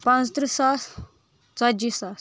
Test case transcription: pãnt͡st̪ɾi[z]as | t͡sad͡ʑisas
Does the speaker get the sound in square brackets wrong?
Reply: yes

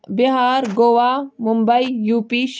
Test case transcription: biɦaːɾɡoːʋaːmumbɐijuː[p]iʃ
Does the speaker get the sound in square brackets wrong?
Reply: no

